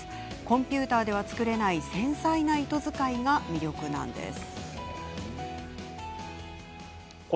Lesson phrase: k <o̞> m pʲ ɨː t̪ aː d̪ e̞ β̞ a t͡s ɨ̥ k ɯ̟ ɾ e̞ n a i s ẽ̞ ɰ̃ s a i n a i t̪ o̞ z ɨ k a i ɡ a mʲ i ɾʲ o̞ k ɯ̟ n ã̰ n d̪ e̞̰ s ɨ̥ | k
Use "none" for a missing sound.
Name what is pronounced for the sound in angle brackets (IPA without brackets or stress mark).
õ̞